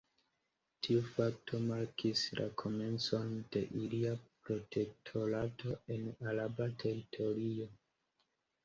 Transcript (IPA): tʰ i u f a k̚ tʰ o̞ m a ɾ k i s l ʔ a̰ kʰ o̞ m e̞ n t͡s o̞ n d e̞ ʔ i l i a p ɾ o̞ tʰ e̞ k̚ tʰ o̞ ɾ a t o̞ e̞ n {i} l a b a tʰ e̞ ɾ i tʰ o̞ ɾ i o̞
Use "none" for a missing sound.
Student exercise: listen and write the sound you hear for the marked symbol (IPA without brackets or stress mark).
a